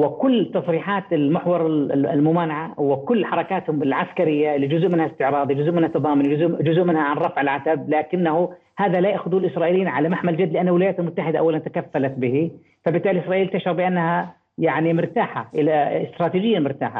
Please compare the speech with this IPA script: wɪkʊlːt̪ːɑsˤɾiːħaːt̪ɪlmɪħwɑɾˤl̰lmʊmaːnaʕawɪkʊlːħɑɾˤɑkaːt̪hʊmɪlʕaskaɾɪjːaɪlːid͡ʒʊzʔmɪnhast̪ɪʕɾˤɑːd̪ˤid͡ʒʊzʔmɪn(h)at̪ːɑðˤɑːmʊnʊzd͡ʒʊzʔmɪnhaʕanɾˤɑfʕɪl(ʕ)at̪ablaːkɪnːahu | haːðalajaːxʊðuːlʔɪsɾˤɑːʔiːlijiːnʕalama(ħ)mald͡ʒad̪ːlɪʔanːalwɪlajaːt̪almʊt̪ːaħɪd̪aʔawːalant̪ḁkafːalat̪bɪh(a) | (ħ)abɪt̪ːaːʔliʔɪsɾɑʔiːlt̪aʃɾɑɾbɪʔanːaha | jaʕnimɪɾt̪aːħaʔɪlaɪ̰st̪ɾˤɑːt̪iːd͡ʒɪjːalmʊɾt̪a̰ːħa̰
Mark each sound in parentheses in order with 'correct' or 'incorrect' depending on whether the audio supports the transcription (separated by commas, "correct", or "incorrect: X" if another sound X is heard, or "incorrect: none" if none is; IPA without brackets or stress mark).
correct, correct, correct, incorrect: i, incorrect: f